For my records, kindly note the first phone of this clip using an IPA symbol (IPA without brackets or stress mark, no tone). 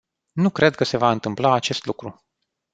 n